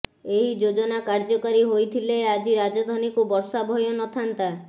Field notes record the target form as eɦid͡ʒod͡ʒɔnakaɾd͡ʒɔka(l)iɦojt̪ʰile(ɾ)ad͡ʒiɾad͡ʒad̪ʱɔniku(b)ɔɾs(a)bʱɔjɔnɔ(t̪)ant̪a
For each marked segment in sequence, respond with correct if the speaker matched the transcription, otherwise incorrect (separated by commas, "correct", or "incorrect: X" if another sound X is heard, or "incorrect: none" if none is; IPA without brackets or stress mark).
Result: incorrect: ɾ, incorrect: none, correct, correct, incorrect: t̪ʰ